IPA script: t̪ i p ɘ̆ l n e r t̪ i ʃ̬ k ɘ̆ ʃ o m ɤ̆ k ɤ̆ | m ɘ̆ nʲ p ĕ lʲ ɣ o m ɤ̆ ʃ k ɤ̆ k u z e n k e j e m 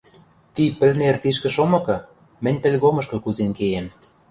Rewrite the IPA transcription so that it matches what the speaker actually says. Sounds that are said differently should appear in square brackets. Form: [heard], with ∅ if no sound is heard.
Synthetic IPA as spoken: t̪ i p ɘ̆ l n e r t̪ i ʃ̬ k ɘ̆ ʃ o m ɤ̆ k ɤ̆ | m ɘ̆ nʲ p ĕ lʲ ɣ o m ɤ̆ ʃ k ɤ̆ k u z e n k e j e m